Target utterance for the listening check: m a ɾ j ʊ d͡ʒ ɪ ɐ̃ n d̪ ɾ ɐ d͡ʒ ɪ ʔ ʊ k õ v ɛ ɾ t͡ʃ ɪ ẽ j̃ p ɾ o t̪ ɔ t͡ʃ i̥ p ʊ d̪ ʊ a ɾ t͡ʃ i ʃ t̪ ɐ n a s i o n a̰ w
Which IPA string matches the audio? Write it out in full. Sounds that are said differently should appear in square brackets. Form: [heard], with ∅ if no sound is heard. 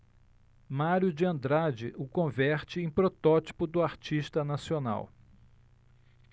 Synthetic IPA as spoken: m a ɾ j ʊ d͡ʒ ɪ ɐ̃ n d̪ ɾ [a] d͡ʒ ɪ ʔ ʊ k õ v ɛ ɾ t͡ʃ ɪ ẽ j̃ p ɾ o t̪ ɔ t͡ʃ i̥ p ʊ d̪ ʊ a ɾ t͡ʃ i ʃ t̪ ɐ n a s i o n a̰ w